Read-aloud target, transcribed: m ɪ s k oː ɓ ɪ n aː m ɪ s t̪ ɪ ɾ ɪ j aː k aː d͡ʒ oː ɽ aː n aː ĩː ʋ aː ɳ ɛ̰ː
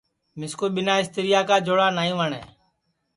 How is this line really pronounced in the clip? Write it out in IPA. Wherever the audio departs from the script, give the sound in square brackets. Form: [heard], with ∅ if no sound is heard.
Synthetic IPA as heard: m ɪ s k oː ɓ ɪ n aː [∅] ɪ s t̪ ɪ ɾ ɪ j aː k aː d͡ʒ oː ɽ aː n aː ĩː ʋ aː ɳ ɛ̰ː